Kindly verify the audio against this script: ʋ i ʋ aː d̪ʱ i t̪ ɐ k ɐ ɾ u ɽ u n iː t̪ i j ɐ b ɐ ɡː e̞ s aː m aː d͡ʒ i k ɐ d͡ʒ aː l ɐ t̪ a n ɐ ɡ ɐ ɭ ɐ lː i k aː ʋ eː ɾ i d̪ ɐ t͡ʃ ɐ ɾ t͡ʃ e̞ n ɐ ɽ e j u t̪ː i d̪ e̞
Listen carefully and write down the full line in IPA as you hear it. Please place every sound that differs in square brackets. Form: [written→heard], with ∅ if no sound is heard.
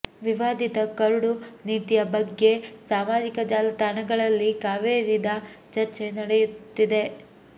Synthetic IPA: ʋ i ʋ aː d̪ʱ i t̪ ɐ k ɐ ɾ u ɽ u n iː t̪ i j ɐ b ɐ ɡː e̞ s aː m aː d͡ʒ i k ɐ d͡ʒ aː l ɐ t̪ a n ɐ ɡ ɐ ɭ ɐ lː i k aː ʋ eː ɾ i d̪ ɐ t͡ʃ ɐ ɾ t͡ʃ e̞ n ɐ ɽ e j u t̪ː i d̪ e̞